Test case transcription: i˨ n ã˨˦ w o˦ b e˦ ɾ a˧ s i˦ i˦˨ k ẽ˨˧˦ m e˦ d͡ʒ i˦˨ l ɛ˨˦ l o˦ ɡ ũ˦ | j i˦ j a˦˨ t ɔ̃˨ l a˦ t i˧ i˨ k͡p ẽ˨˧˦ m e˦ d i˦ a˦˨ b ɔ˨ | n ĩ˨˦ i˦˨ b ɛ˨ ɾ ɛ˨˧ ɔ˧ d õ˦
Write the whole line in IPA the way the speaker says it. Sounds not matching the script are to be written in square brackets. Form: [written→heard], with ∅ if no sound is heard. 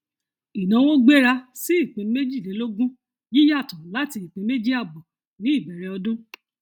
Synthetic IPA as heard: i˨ n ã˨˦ w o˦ [b→ɡ͡b] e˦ ɾ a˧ s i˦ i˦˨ [k→k͡p] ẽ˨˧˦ m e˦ d͡ʒ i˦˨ l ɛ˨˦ l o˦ ɡ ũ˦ | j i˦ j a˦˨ t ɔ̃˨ l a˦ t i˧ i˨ k͡p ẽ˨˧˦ m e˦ [d→d͡ʒ] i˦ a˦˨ b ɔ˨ | n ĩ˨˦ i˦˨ b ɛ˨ ɾ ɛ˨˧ ɔ˧ d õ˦

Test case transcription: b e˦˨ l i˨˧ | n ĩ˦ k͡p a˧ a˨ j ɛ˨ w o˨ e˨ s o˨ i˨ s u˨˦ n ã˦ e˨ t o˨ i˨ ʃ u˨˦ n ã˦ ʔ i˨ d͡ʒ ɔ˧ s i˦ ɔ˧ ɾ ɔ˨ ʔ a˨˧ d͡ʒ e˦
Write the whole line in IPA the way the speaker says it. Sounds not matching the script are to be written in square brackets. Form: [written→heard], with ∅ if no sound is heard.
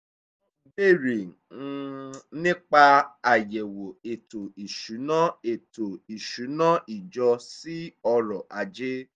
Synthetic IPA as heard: b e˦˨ [l→ɾ] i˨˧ | n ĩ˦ k͡p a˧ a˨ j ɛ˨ w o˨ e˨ [s→t] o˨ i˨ [s→ʃ] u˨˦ n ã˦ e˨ t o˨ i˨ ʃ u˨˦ n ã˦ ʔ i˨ d͡ʒ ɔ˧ s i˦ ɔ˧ ɾ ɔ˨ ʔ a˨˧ d͡ʒ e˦

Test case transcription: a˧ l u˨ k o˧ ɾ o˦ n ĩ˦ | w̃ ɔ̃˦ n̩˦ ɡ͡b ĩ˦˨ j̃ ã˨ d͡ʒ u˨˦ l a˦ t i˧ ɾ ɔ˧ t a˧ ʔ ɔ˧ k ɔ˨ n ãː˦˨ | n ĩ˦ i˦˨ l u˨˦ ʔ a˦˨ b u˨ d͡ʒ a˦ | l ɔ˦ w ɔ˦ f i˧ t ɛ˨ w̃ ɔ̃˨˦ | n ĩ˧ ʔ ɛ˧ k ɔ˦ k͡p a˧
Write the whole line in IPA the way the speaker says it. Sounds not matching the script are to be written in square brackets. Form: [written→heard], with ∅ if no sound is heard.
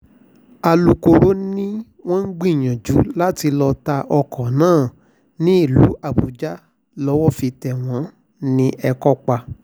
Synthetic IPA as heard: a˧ l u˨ k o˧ ɾ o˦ n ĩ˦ | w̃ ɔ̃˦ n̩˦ ɡ͡b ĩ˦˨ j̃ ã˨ d͡ʒ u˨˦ l a˦ t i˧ [ɾ→l] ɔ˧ t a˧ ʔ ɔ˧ k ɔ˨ n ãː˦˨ | n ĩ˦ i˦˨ l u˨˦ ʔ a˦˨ b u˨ d͡ʒ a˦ | l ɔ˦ w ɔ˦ f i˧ t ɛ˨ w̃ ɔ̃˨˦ | n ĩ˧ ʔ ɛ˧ k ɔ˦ k͡p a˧

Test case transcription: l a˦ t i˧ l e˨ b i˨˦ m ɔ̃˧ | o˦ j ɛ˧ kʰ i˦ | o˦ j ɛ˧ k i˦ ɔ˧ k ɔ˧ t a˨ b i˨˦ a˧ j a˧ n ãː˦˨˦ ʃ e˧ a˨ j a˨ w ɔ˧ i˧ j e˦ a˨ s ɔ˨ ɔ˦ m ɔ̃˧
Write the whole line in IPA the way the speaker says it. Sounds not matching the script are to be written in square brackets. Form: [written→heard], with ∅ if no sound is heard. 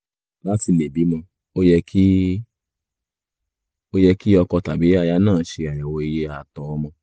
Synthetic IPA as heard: l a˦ t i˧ l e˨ b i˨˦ m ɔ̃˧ | o˦ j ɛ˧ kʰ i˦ | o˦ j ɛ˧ k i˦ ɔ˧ k ɔ˧ t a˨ b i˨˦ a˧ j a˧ n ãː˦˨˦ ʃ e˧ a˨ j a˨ w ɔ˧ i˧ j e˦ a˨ [s→t] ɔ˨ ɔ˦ m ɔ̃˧

